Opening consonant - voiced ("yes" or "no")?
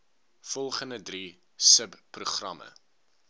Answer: no